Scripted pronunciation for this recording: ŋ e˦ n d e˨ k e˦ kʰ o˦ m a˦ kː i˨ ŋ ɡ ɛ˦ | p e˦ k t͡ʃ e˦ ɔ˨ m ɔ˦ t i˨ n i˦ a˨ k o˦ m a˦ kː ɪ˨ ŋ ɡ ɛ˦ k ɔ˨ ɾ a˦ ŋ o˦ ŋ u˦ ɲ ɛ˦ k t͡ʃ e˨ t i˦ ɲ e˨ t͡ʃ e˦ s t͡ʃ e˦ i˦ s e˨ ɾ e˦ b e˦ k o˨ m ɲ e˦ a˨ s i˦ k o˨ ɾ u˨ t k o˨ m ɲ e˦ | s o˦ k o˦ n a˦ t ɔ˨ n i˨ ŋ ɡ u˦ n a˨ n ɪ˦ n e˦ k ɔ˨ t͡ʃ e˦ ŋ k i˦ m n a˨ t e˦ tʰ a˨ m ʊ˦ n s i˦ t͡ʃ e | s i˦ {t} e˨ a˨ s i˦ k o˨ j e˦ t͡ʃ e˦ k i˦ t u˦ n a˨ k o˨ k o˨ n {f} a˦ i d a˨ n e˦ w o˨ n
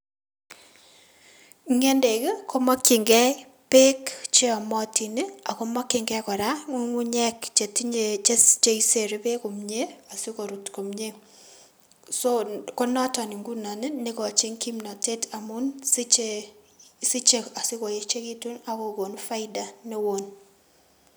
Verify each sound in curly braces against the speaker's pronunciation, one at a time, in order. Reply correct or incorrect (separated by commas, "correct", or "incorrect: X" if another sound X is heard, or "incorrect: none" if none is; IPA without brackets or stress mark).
incorrect: t͡ʃ, correct